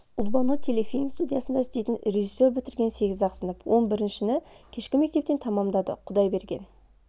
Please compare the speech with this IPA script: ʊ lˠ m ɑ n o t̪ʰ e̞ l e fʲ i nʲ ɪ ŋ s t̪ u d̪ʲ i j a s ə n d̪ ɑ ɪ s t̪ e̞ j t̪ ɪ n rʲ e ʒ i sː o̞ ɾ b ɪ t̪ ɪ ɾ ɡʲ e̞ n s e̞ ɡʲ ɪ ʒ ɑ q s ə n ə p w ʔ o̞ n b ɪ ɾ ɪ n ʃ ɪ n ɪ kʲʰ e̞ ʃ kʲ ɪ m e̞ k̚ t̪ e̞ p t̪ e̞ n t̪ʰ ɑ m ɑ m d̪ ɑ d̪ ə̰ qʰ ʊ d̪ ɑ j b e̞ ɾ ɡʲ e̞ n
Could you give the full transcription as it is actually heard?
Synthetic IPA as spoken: ʊ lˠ b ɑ n o t̪ʰ e̞ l e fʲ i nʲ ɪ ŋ s t̪ u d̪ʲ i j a s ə n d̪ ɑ ɪ s t̪ e̞ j t̪ ɪ n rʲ e ʒ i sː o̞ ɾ b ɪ t̪ ɪ ɾ ɡʲ e̞ n s e̞ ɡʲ ɪ z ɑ q s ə n ə p w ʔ o̞ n b ɪ ɾ ɪ n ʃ ɪ n ɪ kʲʰ e̞ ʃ kʲ ɪ m e̞ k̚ t̪ e̞ p t̪ e̞ n t̪ʰ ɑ m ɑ m d̪ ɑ d̪ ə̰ qʰ ʊ d̪ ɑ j b e̞ ɾ ɡʲ e̞ n